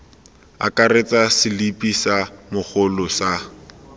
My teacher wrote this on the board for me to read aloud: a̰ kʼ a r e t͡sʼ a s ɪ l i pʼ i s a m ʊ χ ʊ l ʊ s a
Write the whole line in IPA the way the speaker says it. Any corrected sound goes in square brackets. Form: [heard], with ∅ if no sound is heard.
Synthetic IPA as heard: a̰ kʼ a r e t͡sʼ a s ɪ l i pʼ i s a m ʊ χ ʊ l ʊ s a

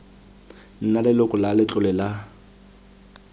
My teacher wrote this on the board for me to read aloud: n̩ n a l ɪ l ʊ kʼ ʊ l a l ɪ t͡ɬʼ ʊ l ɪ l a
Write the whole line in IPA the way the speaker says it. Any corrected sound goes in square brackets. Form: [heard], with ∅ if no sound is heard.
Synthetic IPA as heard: n̩ n a l ɪ l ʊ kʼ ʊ l a l ɪ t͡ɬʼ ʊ l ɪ l a

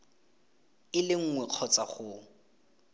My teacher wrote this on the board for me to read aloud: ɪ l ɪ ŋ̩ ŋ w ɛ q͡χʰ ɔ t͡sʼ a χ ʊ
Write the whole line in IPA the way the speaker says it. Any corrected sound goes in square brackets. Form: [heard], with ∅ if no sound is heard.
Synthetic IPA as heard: ɪ l ɪ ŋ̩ ŋ w ɛ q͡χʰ ɔ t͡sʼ a χ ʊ

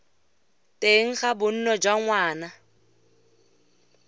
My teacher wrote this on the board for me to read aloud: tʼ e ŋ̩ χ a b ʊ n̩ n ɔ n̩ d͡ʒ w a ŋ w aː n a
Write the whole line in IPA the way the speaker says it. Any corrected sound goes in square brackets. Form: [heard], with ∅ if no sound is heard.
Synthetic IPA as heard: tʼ e ŋ̩ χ a b ʊ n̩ n ɔ [∅] d͡ʒ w a ŋ w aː n a

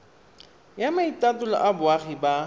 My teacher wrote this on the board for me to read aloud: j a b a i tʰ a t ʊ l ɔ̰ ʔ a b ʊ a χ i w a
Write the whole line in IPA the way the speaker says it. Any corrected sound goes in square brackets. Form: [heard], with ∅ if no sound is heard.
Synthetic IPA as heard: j a [m] a i [t] a t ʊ l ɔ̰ ʔ a b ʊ a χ i [b] a

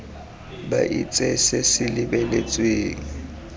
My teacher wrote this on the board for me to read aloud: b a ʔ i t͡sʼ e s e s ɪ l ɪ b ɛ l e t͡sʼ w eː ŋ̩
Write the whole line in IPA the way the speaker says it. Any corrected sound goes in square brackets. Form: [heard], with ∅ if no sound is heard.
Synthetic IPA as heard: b a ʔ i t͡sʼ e s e s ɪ l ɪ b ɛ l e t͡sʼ w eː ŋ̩

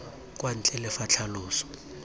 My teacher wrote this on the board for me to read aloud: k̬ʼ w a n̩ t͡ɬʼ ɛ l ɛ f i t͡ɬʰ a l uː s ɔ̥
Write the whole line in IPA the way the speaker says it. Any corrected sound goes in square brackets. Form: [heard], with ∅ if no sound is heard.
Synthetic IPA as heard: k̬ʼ w a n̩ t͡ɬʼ ɛ l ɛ f [a] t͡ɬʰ a l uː s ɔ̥

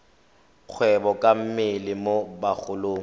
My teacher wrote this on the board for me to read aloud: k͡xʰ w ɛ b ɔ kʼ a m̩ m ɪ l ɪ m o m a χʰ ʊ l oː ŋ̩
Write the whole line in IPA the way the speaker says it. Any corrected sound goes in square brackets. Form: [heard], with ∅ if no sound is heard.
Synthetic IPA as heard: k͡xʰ w ɛ b ɔ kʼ a m̩ m ɪ l ɪ m o [b] a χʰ ʊ l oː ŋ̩

